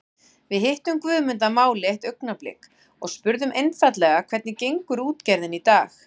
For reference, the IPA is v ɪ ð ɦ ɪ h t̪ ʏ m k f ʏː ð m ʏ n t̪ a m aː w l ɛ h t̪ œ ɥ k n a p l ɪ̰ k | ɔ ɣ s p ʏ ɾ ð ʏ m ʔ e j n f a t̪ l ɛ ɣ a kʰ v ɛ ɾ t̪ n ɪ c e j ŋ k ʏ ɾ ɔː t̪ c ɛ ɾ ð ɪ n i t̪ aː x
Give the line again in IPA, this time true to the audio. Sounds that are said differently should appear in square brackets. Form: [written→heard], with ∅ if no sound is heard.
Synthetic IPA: v ɪ ð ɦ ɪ h t̪ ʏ m k [f→v] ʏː ð m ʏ n t̪ a m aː w l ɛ h t̪ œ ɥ k n a p l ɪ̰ k | ɔ ɣ s p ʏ ɾ ð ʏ m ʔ e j n f a t̪ l ɛ ɣ a kʰ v ɛ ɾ t̪ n ɪ c e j ŋ k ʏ ɾ [ɔː→uː] t̪ c ɛ ɾ ð ɪ n i t̪ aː x